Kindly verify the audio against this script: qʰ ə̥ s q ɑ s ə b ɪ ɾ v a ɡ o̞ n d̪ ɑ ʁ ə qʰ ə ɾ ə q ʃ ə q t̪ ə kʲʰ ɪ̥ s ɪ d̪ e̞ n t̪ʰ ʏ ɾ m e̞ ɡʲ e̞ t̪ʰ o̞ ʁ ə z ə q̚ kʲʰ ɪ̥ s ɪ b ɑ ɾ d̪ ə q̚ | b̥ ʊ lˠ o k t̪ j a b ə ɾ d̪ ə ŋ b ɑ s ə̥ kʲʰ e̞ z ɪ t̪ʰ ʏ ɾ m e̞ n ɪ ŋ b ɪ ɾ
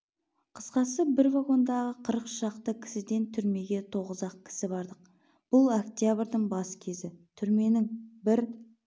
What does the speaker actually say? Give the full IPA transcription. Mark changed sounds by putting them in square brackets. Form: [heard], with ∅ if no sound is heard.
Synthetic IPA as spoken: qʰ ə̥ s q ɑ s ə b ɪ ɾ v a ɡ o̞ n d̪ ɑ ʁ ə qʰ ə ɾ ə q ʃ [ɑ] q t̪ ə kʲʰ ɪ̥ s ɪ d̪ e̞ n t̪ʰ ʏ ɾ m e̞ ɡʲ e̞ t̪ʰ o̞ ʁ ə z [ɑ] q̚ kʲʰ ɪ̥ s ɪ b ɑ ɾ d̪ ə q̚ | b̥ ʊ lˠ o k t̪ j a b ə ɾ d̪ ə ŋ b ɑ s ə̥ kʲʰ e̞ z ɪ t̪ʰ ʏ ɾ m e̞ n ɪ ŋ b ɪ ɾ